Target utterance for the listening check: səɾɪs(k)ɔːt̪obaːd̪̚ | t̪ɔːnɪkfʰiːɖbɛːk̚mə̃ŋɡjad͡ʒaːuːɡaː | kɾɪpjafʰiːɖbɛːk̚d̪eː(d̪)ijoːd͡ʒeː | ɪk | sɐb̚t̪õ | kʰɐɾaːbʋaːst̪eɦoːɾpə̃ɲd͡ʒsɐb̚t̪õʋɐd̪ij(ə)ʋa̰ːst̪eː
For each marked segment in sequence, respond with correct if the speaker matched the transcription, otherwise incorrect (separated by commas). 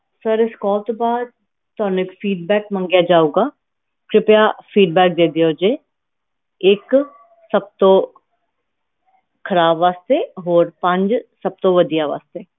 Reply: correct, correct, incorrect